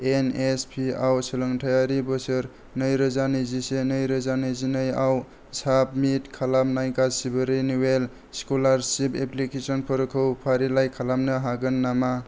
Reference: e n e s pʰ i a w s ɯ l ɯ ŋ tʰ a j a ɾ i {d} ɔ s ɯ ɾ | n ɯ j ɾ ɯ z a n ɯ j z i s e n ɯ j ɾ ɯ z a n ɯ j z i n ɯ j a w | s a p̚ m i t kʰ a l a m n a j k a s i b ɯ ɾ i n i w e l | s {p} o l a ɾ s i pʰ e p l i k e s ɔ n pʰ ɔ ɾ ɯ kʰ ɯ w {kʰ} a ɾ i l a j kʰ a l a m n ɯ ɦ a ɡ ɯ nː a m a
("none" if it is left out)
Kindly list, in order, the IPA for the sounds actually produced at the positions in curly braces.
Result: b, k, pʰ

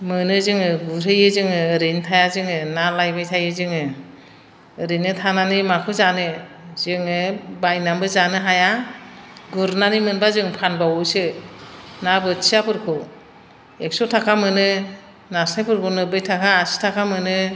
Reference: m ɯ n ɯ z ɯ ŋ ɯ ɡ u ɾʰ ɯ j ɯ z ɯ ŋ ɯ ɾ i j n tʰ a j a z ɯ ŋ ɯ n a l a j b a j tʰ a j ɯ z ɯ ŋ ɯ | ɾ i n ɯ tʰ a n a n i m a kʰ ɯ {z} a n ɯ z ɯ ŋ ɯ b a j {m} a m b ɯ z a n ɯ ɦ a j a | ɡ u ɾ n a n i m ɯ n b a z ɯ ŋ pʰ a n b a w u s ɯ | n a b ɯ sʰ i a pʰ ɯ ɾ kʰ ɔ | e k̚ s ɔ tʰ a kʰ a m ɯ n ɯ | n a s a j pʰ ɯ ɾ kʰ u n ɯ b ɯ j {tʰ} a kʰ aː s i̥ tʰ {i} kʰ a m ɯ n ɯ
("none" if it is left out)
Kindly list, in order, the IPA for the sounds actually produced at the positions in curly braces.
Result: z, n, tʰ, a

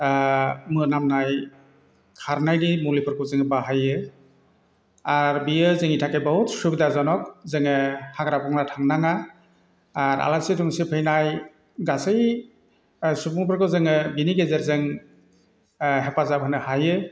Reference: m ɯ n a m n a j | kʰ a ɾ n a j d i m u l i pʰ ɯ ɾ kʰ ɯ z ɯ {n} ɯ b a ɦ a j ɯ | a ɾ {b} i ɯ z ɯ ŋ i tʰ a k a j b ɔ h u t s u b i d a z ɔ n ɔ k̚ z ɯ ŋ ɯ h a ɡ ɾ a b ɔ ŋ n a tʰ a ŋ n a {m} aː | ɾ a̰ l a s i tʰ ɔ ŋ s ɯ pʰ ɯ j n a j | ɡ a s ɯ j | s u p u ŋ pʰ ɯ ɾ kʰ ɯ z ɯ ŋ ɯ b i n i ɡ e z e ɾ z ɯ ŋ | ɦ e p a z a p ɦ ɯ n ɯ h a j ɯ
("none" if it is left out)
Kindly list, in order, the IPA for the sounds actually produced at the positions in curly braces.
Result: ŋ, b, ŋ

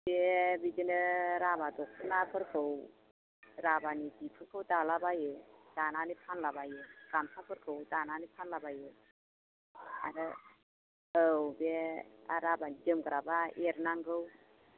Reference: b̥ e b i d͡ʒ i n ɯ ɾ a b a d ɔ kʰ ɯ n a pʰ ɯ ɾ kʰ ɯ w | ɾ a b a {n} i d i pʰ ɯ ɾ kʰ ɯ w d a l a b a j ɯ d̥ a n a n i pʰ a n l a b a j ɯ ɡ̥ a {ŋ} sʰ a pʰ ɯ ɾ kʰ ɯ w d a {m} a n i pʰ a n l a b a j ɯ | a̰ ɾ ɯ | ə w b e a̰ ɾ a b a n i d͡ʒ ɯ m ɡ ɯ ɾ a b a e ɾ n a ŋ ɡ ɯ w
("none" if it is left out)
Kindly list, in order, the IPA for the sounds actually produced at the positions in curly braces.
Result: n, m, n

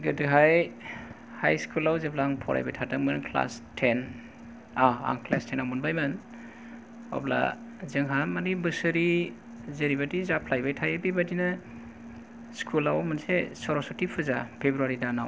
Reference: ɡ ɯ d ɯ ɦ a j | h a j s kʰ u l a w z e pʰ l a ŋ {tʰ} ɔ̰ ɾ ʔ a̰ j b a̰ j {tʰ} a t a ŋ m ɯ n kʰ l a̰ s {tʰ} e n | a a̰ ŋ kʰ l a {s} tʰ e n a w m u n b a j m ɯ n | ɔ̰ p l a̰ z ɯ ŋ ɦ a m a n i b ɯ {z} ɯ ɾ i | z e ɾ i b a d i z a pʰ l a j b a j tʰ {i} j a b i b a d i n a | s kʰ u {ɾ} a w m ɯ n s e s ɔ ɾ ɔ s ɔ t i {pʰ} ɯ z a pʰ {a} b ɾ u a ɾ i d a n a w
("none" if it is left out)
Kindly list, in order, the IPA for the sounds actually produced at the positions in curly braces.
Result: pʰ, tʰ, tʰ, s, s, a, l, pʰ, e

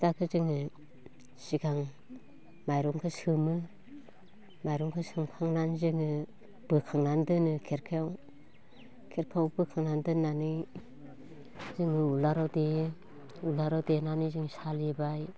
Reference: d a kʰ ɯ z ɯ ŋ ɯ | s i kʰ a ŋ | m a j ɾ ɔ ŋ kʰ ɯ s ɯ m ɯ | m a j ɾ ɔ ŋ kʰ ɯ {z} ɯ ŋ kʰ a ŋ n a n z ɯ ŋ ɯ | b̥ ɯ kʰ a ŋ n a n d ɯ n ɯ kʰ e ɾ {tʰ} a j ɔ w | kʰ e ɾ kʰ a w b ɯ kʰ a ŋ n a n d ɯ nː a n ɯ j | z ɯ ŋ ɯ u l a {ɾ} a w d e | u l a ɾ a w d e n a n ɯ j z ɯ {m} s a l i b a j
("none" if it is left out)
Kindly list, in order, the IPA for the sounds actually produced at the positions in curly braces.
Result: s, kʰ, ɾ, ŋ

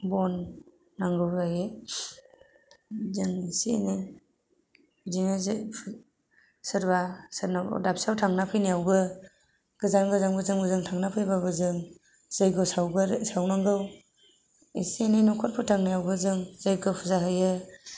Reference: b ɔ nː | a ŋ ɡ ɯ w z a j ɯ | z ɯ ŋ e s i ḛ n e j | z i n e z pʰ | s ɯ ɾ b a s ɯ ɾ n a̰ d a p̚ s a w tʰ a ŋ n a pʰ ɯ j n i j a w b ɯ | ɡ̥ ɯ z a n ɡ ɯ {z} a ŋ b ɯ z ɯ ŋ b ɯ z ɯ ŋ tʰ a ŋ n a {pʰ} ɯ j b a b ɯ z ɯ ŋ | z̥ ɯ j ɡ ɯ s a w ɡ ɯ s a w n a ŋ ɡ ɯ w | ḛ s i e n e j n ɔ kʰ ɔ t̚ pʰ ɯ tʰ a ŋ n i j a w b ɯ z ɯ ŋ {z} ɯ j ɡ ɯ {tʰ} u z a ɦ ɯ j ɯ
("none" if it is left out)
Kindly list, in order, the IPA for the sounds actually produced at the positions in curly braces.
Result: z, pʰ, z, pʰ

